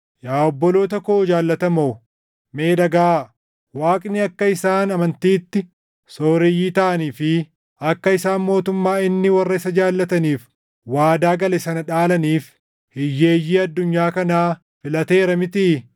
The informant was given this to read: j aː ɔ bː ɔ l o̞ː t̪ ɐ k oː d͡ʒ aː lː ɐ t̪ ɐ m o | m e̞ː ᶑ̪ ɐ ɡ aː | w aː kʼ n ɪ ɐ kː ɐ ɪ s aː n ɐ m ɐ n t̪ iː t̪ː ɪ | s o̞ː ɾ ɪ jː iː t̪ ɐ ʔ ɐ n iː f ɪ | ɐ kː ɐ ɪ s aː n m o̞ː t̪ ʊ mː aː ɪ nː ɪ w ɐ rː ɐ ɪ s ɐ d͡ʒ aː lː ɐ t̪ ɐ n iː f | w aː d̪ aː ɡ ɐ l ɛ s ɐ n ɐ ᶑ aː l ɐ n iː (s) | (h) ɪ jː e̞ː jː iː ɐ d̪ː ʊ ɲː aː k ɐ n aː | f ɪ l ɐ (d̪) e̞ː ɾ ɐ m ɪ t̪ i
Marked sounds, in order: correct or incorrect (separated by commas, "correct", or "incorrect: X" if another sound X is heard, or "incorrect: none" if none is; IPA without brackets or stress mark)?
incorrect: f, correct, incorrect: t̪